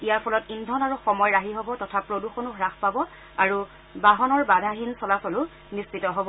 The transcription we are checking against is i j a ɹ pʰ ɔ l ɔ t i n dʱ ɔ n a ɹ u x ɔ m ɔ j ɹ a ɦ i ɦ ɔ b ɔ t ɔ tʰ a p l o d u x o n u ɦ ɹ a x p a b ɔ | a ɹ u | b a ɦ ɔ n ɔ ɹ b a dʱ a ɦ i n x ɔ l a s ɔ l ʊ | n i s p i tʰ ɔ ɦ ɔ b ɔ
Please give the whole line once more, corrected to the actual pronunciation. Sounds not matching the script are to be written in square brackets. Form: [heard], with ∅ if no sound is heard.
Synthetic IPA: i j a ɹ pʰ ɔ l ɔ t i n dʱ ɔ n a ɹ u x ɔ m ɔ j ɹ a ɦ i ɦ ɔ b ɔ t ɔ tʰ a p [ɹ] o d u x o n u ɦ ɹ a x p a b ɔ | a ɹ u | b a ɦ ɔ n ɔ ɹ b a dʱ a ɦ i n [s] ɔ l a s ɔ l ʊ | n i s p i [t] ɔ ɦ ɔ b ɔ